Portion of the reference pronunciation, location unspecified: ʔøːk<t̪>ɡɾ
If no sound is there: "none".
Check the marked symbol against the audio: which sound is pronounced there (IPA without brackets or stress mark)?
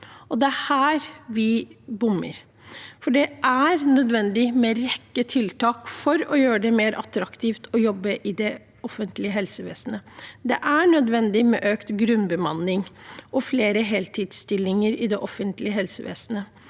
t̪